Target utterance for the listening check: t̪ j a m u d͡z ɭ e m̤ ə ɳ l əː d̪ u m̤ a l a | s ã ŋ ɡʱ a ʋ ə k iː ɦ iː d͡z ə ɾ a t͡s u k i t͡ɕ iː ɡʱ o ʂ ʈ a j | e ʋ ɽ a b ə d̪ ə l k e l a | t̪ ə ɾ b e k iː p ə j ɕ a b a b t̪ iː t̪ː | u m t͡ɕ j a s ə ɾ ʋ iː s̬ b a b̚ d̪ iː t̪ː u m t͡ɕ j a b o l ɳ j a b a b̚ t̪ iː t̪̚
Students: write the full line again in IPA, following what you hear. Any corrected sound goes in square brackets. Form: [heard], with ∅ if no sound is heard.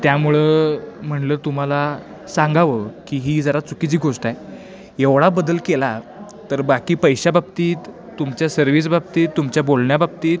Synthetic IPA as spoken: t̪ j a m u [∅] ɭ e m̤ ə ɳ l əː [t̪] u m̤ a l a | s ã ŋ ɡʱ a ʋ ə k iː ɦ iː d͡z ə ɾ a t͡s u k i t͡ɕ iː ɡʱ o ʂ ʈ a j | e ʋ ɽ a b ə d̪ ə l k e l a | t̪ ə ɾ b [a] k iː p ə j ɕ a b a b t̪ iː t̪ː | u m t͡ɕ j a s ə ɾ ʋ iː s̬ b a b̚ [t̪] iː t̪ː u m t͡ɕ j a b o l ɳ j a b a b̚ t̪ iː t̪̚